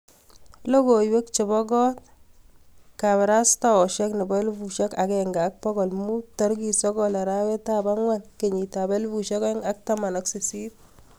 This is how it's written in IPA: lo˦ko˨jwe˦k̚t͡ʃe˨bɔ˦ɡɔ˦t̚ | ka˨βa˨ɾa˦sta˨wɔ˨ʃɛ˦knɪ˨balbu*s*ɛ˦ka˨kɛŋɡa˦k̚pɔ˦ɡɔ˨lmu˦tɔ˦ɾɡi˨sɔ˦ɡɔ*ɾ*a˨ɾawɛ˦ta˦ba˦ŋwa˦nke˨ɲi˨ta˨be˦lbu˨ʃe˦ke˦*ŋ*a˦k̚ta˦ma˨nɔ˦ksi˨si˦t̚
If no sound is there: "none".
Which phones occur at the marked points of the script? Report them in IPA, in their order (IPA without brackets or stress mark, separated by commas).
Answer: ʃ, l, ŋ